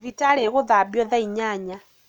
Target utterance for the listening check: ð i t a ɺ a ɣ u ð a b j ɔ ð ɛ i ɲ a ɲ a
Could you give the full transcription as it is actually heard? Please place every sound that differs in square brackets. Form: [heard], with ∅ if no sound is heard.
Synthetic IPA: [v] i t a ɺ [ɛ] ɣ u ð a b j ɔ ð [a] i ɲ a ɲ a

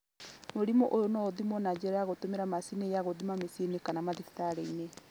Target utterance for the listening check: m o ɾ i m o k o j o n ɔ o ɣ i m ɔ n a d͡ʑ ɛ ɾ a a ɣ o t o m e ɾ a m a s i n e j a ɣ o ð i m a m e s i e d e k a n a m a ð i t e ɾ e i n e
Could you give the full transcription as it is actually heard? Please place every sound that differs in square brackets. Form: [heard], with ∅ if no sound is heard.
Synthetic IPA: m o ɾ i m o [ʔ] o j o n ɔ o [ð] i m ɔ n a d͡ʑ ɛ ɾ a a ɣ o t o m e ɾ a m a s i n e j a ɣ o ð i m a m e s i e [n] e k a n a m a ð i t [a] ɾ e i n e

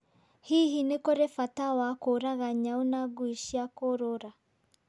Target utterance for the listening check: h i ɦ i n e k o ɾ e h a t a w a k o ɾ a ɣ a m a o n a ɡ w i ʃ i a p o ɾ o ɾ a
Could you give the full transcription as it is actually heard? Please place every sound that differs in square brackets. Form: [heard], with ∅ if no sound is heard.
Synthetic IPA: h i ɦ i n e k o ɾ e [f] a t a w a k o ɾ a ɣ a [ɲ] a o n a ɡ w i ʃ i a [k] o ɾ o ɾ a

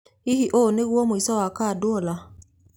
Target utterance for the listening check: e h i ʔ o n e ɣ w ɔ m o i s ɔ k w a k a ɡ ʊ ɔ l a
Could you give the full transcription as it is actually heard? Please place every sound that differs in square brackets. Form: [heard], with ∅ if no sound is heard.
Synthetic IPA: [i] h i ʔ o n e ɣ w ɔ m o i s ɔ [∅] w a k a [d] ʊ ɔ l a

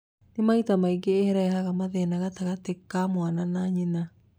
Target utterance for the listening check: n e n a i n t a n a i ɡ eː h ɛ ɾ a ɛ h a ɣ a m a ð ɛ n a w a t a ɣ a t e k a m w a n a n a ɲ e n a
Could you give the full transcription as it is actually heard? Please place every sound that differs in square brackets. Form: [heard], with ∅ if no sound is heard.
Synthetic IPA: n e [m] a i [∅] t a [m] a i ɡ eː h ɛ ɾ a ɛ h a ɣ a m a ð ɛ n a [ɣ] a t a ɣ a t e k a m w a n a n a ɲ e n a

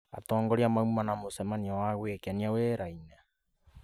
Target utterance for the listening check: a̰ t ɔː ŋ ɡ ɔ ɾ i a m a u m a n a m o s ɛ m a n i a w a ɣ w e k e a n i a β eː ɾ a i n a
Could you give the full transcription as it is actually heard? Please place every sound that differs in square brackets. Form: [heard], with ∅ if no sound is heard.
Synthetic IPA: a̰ t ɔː ŋ ɡ ɔ ɾ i a m a u m a n a m o s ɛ m a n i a w a ɣ w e k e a n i a [w] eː ɾ a i n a

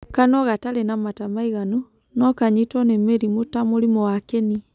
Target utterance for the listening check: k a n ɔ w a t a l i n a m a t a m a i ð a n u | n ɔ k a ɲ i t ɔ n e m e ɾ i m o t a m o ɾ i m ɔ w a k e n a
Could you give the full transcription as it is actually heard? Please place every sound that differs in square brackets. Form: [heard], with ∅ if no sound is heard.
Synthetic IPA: k a n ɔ [ɣ] a t a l [e] n a m a t a m a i [ɣ] a n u | n ɔ k a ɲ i t ɔ n e m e ɾ i m o t a m o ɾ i m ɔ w a k e n [i]

